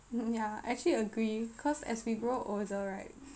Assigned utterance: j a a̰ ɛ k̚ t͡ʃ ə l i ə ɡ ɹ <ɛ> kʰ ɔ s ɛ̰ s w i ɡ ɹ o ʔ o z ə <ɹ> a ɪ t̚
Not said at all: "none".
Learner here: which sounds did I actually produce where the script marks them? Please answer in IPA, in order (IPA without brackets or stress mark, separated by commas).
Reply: i, ɹ